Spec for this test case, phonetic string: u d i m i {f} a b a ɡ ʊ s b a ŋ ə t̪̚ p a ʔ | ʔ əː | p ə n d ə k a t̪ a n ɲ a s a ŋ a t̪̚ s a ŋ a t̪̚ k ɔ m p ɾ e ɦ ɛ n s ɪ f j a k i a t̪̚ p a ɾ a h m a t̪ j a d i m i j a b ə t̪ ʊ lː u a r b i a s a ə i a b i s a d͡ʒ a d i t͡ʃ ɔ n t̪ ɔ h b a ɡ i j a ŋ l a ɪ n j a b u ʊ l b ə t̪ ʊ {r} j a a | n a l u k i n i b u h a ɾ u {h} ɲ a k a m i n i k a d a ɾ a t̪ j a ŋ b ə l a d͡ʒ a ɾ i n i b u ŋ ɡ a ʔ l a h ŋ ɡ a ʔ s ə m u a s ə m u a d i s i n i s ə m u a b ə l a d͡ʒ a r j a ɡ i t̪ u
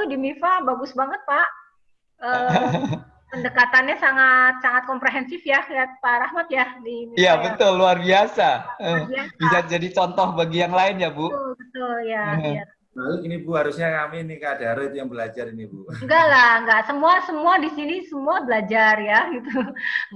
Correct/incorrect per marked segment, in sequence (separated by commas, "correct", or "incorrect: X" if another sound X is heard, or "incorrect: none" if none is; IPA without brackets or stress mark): correct, incorrect: l, incorrect: s